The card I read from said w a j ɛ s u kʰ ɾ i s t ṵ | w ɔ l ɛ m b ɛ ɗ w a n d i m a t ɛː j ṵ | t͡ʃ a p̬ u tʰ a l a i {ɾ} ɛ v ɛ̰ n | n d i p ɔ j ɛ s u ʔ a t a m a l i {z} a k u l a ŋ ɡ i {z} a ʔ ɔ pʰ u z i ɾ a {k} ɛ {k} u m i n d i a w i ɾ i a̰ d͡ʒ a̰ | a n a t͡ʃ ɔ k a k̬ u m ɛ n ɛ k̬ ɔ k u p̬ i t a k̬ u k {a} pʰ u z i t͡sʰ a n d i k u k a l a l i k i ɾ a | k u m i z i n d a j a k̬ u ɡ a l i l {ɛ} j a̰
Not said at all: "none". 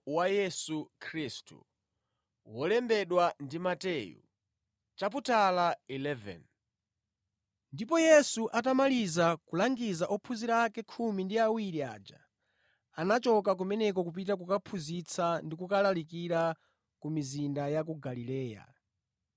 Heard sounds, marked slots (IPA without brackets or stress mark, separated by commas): l, z, z, k, kʰ, a, ɛː